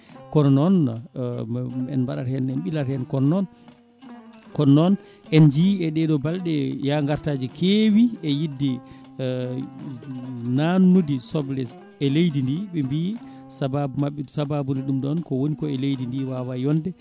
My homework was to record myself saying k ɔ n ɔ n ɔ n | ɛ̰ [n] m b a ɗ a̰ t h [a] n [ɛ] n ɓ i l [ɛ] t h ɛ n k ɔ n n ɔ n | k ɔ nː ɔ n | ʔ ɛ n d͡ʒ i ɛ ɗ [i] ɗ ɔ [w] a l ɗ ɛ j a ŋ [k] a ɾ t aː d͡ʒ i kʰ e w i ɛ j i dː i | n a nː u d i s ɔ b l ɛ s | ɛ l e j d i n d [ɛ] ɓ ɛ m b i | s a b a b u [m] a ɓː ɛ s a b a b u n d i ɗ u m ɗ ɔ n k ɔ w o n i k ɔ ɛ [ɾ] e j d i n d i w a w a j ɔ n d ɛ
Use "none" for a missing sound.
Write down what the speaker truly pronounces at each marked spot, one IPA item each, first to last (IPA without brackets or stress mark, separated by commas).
n, ɛ, ɛ, a, ɛ, b, ɡ, i, m, l